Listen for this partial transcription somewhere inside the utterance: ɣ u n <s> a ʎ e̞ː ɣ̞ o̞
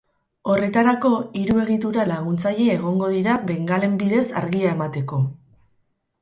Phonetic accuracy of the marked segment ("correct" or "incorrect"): incorrect